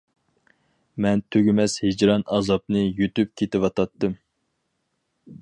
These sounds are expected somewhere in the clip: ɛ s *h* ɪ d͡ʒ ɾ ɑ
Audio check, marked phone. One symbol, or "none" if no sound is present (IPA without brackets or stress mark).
h